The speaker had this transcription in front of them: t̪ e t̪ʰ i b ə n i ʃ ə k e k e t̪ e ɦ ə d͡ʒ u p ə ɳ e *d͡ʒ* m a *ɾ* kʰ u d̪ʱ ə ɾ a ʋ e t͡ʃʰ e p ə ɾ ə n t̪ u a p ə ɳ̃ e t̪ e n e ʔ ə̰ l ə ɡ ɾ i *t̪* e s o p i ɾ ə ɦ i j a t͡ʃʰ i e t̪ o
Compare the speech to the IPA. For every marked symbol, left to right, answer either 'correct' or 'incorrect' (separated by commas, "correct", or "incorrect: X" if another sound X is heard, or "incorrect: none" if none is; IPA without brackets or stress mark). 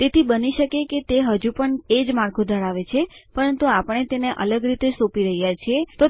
correct, correct, correct